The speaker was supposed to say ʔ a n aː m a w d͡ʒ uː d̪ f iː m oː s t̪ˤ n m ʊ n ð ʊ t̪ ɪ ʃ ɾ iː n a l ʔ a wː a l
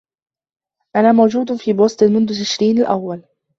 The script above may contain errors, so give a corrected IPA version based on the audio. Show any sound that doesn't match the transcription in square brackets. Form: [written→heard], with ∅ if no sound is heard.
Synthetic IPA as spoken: ʔ a n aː m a w d͡ʒ uː d̪ f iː [m→b] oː s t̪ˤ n m ʊ n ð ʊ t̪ ɪ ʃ ɾ iː n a l ʔ a wː a l

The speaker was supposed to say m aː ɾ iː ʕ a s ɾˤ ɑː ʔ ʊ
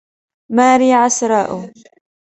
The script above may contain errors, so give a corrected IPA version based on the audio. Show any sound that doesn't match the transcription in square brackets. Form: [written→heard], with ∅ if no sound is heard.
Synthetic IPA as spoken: m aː ɾ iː ʕ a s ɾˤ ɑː ʔ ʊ

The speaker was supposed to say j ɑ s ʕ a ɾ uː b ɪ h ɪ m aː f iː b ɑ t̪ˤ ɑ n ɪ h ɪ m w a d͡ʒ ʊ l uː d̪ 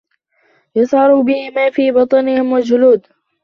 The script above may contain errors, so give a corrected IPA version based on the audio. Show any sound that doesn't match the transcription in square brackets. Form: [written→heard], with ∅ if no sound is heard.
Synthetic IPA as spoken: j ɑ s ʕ [a→ɑ] ɾ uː b ɪ h ɪ m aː f iː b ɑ t̪ˤ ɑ n ɪ h ɪ m w a d͡ʒ ʊ l uː d̪

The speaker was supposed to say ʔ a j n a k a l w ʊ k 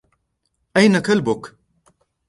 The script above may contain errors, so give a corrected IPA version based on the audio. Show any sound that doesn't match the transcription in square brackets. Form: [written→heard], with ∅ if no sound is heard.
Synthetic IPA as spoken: ʔ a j n a k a l [w→b] ʊ k

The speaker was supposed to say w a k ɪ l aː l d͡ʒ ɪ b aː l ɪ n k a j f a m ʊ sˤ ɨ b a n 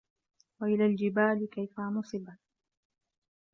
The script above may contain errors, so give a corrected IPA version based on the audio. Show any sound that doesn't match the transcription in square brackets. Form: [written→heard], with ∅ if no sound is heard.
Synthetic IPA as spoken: w a [k→ʔ] ɪ l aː l d͡ʒ ɪ b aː l ɪ [n→∅] k a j f a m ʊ sˤ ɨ b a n

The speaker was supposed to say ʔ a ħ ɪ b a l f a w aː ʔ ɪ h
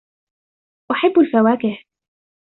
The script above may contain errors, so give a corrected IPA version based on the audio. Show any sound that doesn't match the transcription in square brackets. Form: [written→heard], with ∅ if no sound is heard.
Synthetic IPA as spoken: ʔ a ħ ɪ [b→bː] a l f a w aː [ʔ→k] ɪ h

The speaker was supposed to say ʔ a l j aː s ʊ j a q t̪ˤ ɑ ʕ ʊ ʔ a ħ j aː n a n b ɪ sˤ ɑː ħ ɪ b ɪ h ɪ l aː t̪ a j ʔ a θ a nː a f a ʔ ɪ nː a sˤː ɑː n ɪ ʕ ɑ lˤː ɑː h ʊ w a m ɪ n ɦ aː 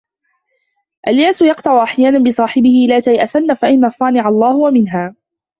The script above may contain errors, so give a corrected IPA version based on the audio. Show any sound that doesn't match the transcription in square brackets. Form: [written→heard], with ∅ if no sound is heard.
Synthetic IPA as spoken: ʔ a l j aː s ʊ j [a→ɑ] q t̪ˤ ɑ ʕ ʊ ʔ a ħ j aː n a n b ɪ sˤ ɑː ħ ɪ b ɪ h ɪ l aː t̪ a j ʔ a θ a nː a f a ʔ ɪ nː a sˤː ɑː n ɪ ʕ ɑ lˤː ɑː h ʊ w a m ɪ n ɦ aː

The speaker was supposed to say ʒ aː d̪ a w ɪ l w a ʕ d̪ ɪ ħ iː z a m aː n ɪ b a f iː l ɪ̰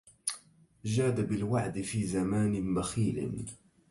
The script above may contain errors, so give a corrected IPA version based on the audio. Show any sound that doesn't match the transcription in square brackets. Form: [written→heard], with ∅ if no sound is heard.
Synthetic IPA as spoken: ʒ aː d̪ a [w→b] ɪ l w a ʕ d̪ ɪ [ħ→f] iː z a m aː n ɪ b a [f→x] iː l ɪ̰

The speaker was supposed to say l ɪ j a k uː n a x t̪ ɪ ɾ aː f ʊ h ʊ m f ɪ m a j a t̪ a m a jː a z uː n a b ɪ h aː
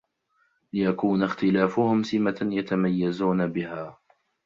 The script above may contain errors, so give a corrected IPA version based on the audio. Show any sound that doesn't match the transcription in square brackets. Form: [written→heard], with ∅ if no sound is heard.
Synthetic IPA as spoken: l ɪ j a k uː n a x t̪ ɪ [ɾ→l] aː f ʊ h ʊ m [f→s] ɪ m a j a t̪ a m a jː a z uː n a b ɪ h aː

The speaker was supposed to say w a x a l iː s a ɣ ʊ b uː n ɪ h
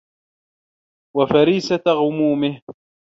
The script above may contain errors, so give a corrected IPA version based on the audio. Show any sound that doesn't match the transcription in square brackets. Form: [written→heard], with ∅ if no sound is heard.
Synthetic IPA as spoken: w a [x→f] a [l→ɾ] iː s a ɣ ʊ [b→m] uː [n→m] ɪ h

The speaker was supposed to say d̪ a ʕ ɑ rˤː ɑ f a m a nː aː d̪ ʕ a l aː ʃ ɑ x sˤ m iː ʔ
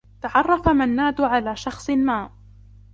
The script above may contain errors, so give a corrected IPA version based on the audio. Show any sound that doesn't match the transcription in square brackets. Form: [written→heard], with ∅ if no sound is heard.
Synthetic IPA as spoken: [d̪→t̪] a ʕ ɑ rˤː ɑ f a m a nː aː d̪ ʕ a l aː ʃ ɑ x sˤ m [iː→aː] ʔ

